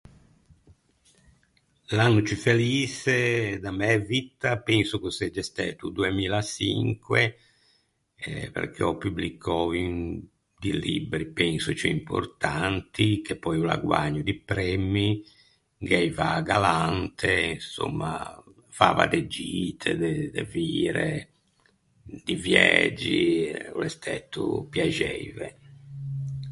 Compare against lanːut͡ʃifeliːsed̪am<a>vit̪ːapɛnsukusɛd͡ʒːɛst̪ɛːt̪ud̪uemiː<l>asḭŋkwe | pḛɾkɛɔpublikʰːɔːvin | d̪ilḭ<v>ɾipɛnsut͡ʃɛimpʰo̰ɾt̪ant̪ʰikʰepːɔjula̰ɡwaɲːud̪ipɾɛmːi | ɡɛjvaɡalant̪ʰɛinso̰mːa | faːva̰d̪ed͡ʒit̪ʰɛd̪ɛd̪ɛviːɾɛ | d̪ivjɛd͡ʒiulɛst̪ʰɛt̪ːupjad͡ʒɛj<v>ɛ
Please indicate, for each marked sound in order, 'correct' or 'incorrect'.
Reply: incorrect, correct, incorrect, correct

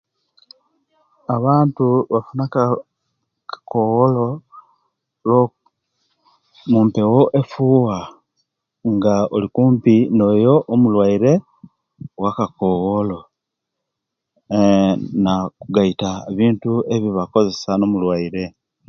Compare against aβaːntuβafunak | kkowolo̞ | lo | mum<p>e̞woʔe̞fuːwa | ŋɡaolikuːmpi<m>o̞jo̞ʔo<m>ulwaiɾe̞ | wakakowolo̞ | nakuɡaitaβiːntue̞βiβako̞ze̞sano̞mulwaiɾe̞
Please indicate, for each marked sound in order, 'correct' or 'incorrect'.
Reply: correct, incorrect, correct

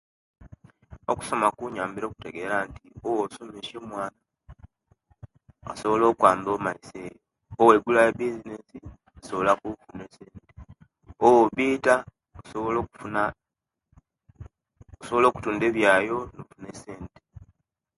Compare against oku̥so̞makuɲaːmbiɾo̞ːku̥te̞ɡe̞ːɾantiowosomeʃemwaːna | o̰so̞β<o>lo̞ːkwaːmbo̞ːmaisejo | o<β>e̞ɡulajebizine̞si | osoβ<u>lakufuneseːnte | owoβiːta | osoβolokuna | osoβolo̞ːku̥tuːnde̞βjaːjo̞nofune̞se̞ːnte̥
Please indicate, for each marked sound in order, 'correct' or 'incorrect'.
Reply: correct, incorrect, incorrect

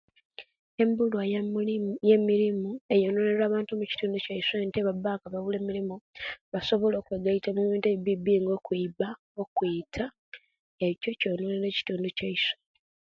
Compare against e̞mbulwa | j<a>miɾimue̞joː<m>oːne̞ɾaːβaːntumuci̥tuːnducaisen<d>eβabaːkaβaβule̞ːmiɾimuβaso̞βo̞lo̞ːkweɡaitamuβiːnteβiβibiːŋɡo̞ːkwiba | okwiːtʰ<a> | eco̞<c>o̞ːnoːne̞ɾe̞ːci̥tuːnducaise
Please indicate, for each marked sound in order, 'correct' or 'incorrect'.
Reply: incorrect, incorrect, incorrect, correct, correct

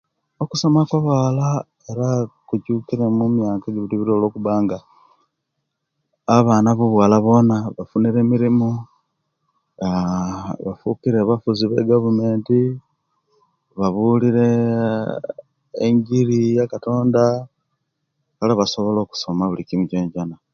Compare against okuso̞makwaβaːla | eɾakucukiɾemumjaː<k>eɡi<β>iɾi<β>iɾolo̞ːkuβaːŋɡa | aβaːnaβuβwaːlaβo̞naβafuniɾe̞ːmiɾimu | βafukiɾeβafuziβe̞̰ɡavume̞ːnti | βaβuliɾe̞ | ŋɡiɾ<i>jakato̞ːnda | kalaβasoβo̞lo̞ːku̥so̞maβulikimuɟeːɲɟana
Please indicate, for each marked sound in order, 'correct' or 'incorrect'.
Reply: correct, correct, correct, correct

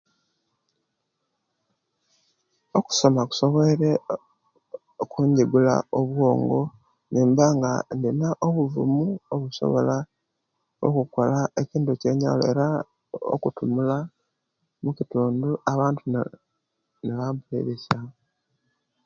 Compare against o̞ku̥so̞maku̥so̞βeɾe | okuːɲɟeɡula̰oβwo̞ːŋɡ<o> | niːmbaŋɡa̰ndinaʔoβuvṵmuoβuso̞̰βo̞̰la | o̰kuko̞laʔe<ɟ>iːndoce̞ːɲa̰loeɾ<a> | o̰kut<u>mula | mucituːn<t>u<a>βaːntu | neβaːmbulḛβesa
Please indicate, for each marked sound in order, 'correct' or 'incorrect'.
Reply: correct, incorrect, correct, correct, incorrect, correct

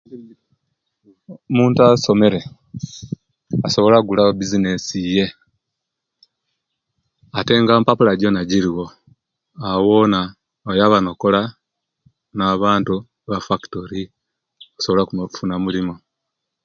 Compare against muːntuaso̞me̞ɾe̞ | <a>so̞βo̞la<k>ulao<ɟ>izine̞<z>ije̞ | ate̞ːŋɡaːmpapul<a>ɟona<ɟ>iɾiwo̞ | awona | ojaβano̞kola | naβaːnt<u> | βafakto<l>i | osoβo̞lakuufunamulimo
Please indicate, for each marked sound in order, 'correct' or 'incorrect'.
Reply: correct, incorrect, incorrect, incorrect, correct, correct, correct, incorrect

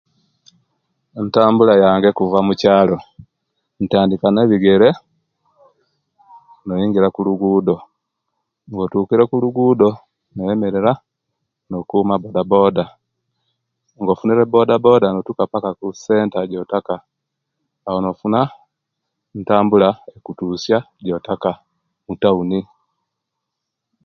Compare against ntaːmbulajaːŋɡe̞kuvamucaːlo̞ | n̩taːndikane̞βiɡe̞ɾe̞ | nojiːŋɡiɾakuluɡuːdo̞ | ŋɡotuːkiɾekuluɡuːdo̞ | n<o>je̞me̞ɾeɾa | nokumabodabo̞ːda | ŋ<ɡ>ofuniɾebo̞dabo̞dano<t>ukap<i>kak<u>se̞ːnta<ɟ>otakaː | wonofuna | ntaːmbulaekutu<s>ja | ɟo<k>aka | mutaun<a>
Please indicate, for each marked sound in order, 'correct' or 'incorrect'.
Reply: correct, correct, correct, incorrect, correct, correct, correct, incorrect, incorrect

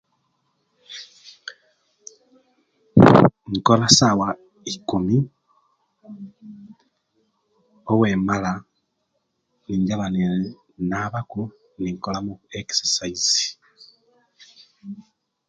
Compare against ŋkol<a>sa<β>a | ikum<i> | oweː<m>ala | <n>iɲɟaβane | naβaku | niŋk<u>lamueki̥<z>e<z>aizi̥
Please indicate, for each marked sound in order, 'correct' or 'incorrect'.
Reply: correct, incorrect, correct, correct, correct, incorrect, incorrect, incorrect

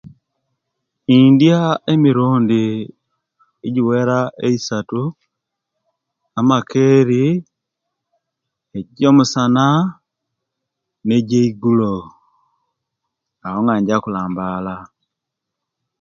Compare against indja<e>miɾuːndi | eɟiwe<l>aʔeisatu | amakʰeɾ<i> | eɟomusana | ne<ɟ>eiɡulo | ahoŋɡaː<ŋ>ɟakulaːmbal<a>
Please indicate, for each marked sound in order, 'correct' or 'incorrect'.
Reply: correct, incorrect, correct, correct, incorrect, correct

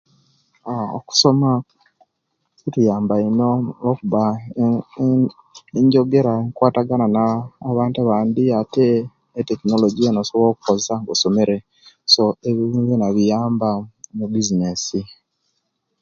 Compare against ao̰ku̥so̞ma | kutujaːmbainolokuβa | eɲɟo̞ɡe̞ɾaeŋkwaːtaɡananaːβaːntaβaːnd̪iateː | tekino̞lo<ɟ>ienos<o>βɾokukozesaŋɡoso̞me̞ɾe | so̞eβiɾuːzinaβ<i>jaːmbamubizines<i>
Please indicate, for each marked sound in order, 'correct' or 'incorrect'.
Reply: correct, correct, correct, correct

